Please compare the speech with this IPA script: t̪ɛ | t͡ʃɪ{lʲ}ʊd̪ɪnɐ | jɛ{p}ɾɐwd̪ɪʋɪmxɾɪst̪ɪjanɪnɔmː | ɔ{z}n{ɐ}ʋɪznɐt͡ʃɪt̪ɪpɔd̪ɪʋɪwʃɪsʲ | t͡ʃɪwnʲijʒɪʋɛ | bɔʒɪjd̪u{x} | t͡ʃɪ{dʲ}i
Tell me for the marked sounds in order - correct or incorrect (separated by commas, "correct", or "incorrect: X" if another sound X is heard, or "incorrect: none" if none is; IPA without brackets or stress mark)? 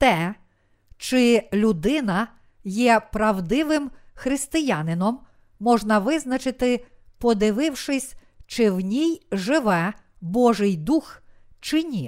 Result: correct, correct, incorrect: ʒ, correct, correct, incorrect: nʲ